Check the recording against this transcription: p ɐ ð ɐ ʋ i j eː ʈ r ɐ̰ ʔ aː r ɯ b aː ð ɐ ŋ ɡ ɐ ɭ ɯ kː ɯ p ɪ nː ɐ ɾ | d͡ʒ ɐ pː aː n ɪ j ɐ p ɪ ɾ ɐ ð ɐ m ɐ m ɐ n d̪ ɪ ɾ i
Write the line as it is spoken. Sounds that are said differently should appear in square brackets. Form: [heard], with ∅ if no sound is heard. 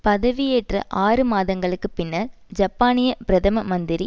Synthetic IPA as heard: p ɐ ð ɐ ʋ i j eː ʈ r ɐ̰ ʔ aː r ɯ [m] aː ð ɐ ŋ ɡ ɐ ɭ ɯ kː ɯ p ɪ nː ɐ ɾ | d͡ʒ ɐ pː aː n ɪ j ɐ p ɪ ɾ ɐ ð ɐ m ɐ m ɐ n d̪ ɪ ɾ i